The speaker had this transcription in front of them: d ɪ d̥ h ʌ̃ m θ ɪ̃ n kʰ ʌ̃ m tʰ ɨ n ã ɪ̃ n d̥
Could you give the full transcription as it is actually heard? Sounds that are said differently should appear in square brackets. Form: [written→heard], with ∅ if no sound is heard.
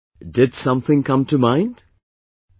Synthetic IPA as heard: d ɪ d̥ [h→s] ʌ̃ m θ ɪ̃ [n→ŋ] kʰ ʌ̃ m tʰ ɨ [n→m] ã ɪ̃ n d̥